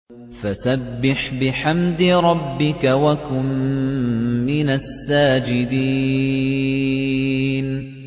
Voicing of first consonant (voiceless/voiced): voiceless